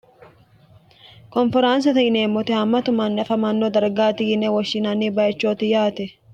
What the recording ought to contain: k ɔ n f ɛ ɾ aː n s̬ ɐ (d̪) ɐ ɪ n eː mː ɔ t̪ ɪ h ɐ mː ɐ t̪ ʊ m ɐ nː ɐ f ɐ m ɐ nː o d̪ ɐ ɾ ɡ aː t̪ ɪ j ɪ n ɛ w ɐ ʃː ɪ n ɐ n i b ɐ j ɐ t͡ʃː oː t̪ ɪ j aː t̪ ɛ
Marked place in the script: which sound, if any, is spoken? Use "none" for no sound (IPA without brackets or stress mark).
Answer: t̪